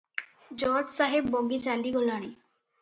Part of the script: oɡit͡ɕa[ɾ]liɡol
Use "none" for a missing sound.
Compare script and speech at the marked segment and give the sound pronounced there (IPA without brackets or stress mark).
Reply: none